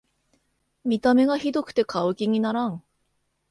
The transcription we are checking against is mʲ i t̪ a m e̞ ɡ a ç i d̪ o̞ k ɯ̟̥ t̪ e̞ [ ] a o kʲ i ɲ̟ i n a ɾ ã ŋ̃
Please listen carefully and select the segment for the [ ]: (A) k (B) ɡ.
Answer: A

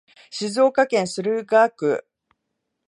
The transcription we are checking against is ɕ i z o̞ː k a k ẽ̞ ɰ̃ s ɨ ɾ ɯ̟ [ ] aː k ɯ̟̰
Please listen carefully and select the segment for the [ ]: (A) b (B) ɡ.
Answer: B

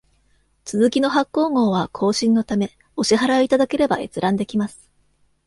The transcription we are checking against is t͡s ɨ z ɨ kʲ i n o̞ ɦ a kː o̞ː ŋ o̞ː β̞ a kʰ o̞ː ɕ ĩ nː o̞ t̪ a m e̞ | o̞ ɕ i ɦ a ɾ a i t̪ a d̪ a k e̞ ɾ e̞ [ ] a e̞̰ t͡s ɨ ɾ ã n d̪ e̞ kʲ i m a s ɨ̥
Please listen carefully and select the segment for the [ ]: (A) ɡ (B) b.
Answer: B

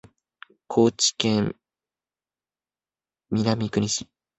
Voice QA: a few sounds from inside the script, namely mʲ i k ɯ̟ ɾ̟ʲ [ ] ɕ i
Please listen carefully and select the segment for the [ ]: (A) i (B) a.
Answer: A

